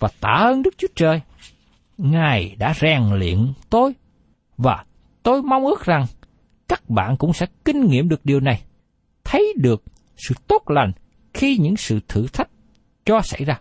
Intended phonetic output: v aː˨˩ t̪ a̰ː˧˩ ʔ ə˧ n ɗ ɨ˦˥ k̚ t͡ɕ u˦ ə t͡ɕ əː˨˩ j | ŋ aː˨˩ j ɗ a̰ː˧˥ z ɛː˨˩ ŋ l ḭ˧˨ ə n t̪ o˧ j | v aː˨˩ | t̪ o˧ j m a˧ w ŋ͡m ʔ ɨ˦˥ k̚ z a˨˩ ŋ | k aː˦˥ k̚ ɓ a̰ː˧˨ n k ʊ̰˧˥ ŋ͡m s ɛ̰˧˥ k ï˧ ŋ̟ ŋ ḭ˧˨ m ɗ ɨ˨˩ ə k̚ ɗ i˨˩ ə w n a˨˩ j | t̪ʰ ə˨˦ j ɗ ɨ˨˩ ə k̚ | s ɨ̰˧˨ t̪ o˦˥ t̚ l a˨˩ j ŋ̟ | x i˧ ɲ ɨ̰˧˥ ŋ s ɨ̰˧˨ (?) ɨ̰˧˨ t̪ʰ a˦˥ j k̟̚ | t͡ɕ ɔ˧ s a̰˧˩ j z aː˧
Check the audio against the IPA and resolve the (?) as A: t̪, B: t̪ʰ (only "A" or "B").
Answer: B